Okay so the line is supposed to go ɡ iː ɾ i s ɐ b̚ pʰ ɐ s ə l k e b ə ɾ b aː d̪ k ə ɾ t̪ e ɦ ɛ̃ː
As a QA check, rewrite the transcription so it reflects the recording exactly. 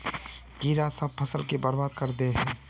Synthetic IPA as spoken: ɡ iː ɾ a s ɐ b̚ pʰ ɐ s ə l k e b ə ɾ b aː d̪ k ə ɾ d̪ e ɦ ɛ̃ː